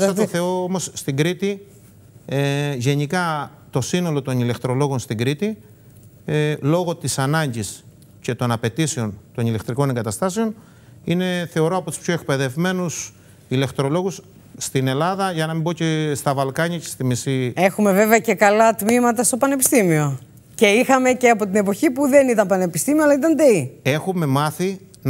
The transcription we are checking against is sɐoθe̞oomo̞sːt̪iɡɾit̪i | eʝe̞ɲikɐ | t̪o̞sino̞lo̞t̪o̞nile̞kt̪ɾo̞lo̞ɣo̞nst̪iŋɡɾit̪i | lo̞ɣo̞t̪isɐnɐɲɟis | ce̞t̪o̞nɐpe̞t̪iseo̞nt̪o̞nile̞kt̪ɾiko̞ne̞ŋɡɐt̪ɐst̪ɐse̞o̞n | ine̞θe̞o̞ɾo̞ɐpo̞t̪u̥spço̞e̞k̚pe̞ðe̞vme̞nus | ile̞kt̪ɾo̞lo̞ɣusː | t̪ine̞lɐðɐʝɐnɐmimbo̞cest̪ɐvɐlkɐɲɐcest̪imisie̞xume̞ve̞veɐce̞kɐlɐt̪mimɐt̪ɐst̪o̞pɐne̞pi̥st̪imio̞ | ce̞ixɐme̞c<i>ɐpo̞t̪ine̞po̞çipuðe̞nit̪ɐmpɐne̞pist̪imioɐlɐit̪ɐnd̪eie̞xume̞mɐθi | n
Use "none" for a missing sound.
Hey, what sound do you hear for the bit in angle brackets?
e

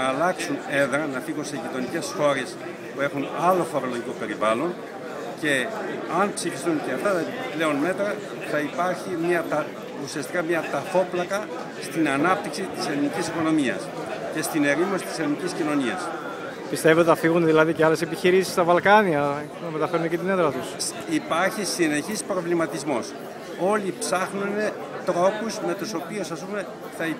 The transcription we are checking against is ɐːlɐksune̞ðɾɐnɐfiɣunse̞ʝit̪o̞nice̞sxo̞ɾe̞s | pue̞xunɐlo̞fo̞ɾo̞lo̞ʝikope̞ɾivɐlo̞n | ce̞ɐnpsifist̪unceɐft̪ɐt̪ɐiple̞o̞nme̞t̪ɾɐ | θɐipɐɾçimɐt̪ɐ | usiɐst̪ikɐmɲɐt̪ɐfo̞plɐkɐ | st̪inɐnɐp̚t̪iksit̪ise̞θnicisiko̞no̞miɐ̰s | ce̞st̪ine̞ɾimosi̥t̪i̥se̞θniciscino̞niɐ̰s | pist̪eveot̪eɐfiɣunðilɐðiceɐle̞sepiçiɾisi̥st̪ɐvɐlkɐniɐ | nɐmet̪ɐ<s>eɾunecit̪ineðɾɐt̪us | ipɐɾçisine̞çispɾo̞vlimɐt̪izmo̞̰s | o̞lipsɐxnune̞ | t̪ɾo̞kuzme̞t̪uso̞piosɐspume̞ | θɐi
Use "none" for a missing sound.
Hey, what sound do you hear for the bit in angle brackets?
f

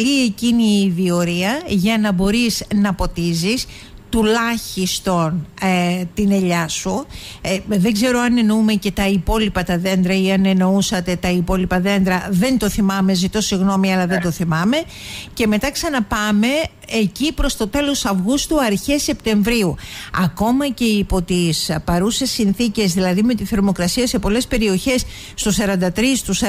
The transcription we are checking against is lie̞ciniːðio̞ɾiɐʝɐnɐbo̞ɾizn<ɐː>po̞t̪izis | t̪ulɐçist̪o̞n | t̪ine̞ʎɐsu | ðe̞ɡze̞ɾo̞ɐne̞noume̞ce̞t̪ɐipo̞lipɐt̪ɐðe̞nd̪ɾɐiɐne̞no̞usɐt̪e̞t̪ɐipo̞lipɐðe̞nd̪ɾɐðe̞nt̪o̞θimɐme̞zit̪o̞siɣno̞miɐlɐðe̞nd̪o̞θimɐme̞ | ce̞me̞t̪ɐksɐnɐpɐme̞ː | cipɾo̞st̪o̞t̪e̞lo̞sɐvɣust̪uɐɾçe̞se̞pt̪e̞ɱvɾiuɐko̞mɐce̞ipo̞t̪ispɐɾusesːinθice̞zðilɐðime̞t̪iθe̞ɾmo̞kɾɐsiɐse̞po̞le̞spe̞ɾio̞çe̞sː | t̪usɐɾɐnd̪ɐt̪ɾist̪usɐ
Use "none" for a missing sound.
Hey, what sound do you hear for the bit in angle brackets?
ɐ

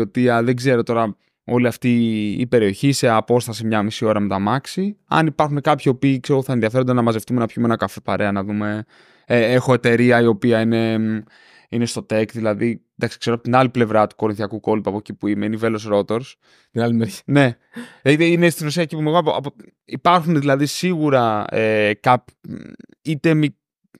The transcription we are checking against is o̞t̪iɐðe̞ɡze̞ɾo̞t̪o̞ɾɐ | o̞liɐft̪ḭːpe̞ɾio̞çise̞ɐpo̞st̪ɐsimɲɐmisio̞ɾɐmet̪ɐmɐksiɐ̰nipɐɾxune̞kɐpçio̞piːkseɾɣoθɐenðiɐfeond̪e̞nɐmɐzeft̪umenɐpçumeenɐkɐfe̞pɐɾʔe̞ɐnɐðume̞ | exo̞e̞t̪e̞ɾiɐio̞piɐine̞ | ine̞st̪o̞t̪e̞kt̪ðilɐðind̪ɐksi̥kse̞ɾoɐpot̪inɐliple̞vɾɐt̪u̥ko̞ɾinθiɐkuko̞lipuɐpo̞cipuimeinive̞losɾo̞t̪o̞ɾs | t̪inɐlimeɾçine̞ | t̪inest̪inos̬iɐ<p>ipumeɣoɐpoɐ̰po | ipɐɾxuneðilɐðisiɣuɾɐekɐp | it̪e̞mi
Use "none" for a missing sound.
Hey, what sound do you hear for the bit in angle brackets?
c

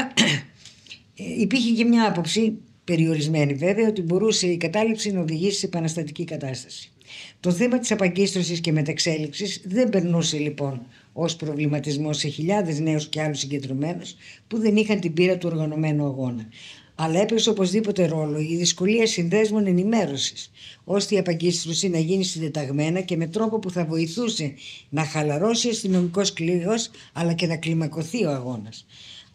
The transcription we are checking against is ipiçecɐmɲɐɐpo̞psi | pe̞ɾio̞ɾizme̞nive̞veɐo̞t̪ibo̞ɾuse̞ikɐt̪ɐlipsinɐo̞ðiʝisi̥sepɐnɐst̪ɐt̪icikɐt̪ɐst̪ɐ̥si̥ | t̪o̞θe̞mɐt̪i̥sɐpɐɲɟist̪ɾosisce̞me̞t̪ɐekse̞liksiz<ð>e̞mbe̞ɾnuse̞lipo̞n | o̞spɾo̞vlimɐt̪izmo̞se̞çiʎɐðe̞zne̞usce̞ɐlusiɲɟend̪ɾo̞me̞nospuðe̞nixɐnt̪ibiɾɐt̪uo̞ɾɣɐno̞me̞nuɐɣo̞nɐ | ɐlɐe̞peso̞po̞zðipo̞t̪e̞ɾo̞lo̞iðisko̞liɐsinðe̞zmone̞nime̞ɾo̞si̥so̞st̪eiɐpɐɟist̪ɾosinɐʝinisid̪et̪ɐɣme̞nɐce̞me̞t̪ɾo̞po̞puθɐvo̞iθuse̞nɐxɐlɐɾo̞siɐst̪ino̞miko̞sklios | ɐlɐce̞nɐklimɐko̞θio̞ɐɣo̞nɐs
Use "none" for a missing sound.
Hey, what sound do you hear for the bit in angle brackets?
ð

